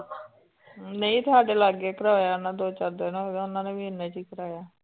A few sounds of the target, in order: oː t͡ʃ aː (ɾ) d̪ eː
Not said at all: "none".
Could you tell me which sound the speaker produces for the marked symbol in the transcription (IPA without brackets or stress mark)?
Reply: ɾ